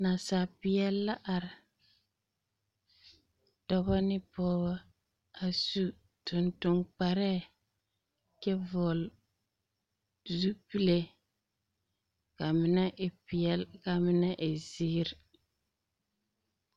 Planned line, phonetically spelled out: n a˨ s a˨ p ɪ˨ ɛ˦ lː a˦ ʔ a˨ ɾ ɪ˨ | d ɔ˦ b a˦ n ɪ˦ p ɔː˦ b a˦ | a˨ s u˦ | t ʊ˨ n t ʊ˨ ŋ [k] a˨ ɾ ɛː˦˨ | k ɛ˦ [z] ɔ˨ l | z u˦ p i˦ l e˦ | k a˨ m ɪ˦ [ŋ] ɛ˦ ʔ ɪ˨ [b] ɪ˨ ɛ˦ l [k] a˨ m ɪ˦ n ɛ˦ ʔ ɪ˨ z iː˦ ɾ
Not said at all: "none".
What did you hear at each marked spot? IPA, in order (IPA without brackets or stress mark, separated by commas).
k͡p, v, n, p, k